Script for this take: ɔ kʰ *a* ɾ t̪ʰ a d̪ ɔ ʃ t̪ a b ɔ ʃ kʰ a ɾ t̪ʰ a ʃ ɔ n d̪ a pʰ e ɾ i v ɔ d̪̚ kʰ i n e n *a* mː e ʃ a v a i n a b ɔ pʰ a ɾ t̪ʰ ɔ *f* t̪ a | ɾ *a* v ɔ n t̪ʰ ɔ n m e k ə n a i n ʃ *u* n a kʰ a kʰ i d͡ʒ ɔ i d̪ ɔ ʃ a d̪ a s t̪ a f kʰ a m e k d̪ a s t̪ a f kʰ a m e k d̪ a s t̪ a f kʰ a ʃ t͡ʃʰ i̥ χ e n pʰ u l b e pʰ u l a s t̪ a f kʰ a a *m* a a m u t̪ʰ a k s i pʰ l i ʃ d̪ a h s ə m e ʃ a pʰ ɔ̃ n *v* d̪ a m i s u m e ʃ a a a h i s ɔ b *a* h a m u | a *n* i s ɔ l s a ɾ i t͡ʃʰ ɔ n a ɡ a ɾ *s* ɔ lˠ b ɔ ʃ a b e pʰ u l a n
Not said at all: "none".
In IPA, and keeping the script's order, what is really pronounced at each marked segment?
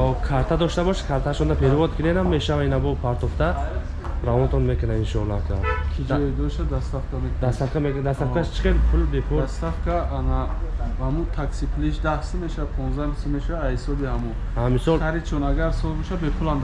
a, a, f, a, ɔ, n, z, i, m, s

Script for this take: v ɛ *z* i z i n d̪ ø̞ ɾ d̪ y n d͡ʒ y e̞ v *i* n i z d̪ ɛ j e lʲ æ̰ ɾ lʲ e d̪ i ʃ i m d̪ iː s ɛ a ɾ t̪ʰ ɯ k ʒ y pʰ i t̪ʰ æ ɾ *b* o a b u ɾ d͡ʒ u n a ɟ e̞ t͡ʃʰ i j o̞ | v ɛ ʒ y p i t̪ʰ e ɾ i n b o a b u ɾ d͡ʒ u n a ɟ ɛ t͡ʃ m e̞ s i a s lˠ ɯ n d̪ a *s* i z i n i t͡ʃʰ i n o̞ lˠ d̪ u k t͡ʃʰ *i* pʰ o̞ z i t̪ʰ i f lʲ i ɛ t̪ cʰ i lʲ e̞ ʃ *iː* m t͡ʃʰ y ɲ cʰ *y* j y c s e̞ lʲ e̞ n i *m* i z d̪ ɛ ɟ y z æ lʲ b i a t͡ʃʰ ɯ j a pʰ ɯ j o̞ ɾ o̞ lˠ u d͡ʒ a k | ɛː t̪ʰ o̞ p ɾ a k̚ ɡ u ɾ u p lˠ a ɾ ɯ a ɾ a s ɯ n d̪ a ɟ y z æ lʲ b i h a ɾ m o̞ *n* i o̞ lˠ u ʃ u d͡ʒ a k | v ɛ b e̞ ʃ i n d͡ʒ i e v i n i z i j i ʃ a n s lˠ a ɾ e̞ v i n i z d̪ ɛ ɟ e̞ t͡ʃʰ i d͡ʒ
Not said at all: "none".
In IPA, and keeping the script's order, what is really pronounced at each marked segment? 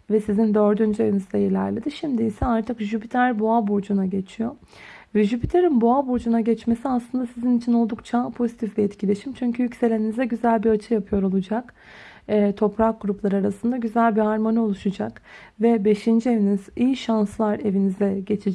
s, i, b, s, a, i, y, n, n

